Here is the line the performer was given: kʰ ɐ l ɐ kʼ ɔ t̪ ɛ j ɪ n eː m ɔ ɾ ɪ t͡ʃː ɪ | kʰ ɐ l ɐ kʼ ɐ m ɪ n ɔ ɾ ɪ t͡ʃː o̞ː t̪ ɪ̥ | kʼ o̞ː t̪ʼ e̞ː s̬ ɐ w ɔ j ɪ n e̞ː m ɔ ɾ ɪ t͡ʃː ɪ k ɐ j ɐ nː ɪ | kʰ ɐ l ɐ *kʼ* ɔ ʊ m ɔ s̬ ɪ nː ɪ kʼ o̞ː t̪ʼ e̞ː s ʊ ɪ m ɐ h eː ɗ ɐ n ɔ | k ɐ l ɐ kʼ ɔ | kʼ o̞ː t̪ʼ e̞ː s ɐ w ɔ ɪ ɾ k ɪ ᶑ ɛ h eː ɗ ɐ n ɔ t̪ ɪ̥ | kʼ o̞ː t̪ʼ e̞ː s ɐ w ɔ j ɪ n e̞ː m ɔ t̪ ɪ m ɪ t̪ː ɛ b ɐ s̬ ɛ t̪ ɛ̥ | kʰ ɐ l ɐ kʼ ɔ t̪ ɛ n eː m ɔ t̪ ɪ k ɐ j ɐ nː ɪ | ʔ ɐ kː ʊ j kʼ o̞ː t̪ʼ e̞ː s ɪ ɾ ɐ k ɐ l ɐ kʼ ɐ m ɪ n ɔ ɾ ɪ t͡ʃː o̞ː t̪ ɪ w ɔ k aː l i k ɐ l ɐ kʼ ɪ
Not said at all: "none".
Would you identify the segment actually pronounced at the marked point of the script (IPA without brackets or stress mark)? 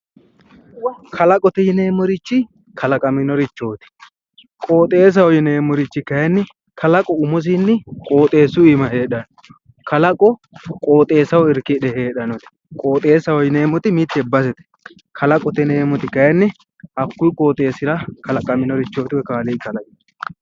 kʼ